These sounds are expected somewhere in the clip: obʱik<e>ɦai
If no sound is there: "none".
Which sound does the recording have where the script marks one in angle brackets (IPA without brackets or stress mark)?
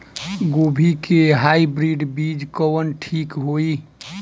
e